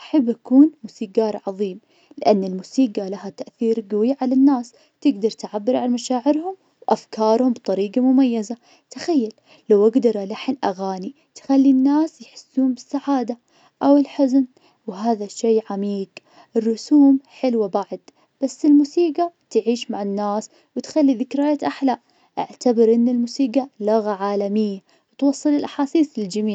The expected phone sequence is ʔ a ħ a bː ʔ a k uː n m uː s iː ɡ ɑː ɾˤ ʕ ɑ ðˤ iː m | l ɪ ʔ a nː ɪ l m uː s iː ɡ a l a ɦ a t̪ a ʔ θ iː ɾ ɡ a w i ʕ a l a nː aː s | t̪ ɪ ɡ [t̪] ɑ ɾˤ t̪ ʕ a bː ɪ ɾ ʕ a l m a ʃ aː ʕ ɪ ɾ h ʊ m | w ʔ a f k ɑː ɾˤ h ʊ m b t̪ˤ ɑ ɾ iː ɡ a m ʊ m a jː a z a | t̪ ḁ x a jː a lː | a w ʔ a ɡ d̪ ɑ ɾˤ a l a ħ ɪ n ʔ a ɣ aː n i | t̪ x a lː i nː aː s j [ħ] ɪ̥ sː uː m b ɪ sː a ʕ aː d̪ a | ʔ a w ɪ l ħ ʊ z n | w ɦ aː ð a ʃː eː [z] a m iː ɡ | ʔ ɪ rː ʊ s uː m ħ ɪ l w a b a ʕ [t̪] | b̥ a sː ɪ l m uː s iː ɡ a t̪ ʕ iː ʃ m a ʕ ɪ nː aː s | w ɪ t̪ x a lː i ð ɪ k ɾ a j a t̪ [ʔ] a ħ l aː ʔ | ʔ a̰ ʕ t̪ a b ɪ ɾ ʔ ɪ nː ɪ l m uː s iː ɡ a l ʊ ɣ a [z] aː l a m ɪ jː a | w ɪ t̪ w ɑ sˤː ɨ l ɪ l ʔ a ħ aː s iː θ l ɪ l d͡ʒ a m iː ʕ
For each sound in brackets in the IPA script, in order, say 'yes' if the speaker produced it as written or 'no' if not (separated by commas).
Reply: no, yes, no, no, yes, no